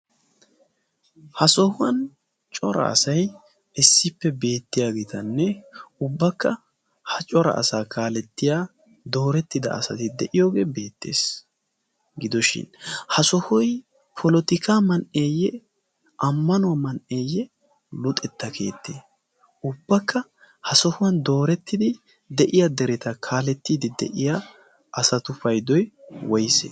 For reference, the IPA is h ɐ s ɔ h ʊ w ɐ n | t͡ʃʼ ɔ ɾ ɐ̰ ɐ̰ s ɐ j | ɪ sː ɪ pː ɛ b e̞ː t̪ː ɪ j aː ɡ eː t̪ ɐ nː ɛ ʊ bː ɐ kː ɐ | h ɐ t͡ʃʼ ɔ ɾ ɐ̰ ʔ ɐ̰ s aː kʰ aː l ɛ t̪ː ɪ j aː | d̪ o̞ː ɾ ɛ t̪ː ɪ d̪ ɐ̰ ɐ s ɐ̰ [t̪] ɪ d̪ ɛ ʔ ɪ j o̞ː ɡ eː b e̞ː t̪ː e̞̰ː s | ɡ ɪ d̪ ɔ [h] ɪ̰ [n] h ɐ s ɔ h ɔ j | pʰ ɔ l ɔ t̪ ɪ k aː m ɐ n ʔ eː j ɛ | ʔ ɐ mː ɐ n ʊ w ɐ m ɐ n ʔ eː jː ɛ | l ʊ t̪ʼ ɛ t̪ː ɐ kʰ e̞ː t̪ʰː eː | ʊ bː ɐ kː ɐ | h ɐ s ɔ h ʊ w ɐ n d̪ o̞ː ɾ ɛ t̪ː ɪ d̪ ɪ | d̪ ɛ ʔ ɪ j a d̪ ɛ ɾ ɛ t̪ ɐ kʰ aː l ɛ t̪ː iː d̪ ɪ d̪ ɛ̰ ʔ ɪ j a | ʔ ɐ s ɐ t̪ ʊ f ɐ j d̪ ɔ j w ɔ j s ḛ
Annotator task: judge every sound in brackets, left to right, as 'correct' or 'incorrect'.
correct, incorrect, correct

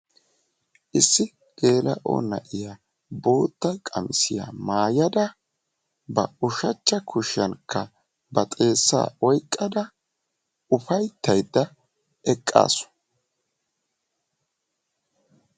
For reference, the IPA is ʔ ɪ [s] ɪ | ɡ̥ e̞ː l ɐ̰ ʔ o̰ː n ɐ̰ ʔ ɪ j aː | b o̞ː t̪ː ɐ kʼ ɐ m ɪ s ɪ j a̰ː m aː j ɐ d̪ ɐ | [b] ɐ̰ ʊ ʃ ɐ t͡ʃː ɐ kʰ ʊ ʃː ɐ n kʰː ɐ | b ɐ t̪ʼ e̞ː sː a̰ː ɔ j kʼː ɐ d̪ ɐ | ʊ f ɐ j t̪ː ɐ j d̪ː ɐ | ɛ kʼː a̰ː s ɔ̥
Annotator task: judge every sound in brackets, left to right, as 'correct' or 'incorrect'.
incorrect, correct

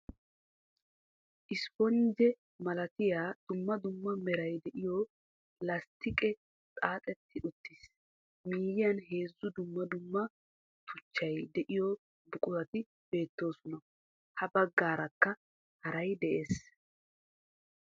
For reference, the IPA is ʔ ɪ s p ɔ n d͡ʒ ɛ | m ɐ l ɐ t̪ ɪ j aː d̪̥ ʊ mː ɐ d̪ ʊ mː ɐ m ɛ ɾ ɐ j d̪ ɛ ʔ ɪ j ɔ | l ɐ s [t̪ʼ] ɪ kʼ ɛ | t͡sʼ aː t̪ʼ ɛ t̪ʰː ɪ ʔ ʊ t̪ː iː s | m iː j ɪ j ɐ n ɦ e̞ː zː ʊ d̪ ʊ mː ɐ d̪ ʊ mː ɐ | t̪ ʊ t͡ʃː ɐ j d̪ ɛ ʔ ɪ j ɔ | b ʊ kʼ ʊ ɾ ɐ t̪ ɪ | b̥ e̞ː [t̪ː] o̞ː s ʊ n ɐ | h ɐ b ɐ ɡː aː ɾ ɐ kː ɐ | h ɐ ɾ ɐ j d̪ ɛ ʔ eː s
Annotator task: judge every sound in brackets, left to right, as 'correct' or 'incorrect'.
incorrect, correct

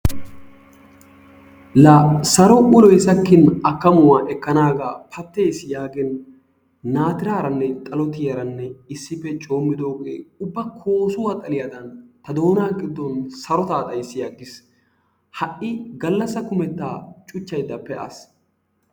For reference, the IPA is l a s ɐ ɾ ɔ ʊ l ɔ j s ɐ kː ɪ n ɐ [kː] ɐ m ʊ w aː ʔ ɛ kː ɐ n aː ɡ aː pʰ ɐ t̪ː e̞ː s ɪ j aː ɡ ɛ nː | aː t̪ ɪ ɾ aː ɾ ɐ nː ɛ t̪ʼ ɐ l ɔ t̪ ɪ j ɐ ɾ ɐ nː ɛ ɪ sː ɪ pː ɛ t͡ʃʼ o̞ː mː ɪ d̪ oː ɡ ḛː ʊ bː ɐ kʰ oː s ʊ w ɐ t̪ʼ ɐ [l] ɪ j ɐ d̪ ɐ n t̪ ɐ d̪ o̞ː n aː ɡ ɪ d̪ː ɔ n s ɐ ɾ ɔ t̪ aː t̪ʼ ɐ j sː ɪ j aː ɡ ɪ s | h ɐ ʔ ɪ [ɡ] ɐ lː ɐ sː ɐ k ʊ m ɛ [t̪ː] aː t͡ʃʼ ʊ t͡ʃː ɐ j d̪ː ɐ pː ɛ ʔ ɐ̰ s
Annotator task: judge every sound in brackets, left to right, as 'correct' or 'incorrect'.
correct, correct, correct, correct

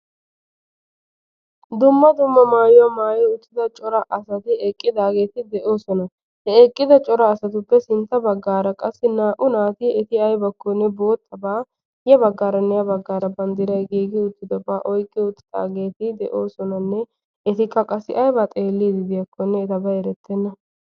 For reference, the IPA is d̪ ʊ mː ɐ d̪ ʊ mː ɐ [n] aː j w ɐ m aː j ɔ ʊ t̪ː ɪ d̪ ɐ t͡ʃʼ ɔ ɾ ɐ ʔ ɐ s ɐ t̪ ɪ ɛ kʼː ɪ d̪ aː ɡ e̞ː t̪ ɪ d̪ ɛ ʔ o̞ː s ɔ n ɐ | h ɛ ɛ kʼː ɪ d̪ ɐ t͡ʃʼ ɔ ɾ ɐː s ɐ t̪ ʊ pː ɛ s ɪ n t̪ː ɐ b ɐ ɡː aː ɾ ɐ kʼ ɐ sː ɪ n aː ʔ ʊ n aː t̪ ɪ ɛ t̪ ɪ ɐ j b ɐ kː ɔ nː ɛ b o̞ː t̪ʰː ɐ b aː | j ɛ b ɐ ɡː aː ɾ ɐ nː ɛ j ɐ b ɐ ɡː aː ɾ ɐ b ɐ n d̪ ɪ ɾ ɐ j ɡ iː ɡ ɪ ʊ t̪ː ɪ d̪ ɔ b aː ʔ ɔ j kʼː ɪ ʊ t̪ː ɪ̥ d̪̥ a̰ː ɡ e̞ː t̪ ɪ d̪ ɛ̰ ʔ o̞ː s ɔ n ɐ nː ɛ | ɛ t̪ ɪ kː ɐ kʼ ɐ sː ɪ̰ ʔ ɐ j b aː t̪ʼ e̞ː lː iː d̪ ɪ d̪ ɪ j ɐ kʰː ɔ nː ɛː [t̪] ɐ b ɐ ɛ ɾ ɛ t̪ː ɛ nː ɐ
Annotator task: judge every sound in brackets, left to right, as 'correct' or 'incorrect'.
incorrect, correct

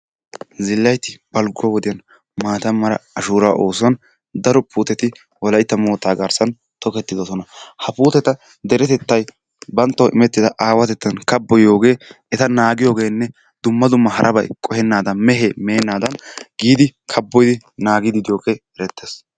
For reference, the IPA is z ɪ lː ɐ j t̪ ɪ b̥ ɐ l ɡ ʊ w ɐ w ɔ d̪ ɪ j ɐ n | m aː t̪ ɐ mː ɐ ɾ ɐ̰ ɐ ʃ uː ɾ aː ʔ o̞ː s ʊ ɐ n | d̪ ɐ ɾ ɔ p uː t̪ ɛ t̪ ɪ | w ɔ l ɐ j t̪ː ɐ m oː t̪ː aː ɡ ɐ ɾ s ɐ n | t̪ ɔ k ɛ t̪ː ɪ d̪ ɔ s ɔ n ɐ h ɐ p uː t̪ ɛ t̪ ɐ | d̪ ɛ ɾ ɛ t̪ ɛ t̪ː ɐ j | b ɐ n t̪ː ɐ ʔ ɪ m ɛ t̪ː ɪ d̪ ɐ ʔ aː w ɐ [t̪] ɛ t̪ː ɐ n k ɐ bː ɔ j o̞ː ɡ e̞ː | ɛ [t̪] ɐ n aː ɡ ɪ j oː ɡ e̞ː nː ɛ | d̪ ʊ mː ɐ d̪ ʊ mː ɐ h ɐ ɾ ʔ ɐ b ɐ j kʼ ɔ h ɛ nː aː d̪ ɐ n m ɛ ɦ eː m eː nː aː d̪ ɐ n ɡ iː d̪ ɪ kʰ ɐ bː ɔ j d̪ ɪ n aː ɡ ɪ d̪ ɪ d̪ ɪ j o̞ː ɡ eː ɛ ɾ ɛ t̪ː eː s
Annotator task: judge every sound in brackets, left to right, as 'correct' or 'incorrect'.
correct, correct

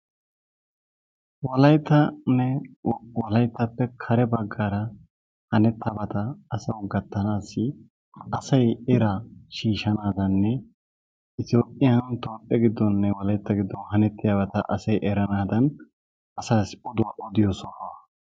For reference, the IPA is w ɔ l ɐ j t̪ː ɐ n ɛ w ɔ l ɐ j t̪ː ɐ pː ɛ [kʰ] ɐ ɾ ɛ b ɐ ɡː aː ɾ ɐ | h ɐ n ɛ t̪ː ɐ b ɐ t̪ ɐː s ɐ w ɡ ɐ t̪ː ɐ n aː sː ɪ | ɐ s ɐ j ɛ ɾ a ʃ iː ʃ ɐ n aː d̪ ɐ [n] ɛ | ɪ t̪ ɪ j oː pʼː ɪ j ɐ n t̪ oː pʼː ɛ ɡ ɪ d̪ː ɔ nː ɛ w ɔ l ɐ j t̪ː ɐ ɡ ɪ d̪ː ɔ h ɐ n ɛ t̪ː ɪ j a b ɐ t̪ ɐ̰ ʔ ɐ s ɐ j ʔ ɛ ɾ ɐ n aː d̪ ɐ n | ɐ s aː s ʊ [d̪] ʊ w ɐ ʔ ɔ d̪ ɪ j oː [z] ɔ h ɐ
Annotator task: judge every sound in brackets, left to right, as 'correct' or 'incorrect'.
correct, incorrect, correct, incorrect

